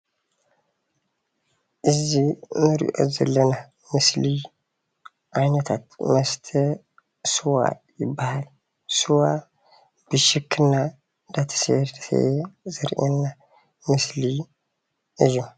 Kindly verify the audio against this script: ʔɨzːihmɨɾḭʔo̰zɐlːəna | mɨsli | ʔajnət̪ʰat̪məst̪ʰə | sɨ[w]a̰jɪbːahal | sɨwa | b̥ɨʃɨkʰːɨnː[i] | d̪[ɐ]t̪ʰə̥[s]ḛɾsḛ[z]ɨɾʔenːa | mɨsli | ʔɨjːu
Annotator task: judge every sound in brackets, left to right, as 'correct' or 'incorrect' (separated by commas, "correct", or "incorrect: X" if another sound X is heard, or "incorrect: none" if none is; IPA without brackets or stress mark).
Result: correct, incorrect: a, incorrect: a, correct, correct